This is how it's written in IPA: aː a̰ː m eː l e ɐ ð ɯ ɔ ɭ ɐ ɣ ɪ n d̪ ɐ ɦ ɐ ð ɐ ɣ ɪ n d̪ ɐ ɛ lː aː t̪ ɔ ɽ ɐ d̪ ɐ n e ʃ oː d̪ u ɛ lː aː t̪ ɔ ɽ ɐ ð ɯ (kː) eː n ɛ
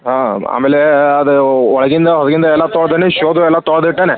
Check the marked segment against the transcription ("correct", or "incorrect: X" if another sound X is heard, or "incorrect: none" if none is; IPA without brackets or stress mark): incorrect: ʈː